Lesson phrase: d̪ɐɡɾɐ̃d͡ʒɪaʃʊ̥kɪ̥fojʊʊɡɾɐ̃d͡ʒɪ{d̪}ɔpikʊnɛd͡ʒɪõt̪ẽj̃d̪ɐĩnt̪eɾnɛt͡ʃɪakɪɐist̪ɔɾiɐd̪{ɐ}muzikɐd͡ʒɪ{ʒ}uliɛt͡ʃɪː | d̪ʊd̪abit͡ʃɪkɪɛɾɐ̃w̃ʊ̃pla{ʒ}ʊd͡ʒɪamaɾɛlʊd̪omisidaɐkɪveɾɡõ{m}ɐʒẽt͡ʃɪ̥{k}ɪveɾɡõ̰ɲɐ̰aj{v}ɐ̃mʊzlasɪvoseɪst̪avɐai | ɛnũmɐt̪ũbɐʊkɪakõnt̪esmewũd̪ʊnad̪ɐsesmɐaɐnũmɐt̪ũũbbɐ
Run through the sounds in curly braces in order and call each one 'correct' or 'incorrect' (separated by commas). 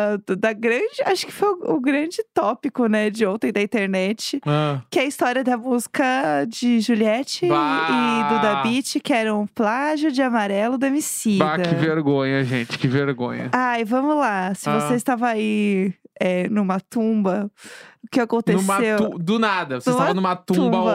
incorrect, correct, correct, correct, incorrect, correct, correct